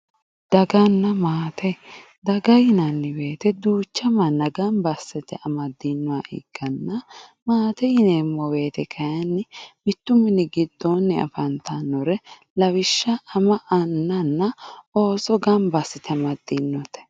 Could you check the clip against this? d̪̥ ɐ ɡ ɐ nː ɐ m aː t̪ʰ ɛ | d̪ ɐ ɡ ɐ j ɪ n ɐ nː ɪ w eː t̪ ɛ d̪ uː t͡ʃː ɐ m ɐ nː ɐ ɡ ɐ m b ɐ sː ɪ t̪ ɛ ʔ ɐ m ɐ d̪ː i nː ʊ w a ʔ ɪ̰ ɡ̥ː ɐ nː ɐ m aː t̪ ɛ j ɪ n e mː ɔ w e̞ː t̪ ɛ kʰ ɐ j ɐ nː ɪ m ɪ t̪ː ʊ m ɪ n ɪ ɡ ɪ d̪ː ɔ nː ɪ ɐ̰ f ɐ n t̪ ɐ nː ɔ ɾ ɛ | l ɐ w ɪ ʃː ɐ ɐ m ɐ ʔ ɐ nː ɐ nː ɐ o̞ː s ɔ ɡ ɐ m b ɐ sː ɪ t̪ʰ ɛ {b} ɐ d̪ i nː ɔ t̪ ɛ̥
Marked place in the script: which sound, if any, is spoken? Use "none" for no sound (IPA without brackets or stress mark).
m